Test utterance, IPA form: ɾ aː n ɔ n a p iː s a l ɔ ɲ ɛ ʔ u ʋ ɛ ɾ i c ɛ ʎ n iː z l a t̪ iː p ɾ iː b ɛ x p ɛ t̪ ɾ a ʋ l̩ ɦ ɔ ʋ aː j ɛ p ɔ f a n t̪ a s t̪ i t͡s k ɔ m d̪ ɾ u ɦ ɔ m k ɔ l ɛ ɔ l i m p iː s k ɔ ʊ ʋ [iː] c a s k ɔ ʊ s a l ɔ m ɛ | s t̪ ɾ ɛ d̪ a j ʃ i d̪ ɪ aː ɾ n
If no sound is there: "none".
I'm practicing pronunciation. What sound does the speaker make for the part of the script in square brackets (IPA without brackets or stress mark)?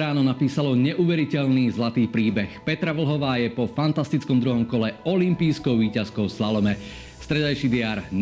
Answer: iː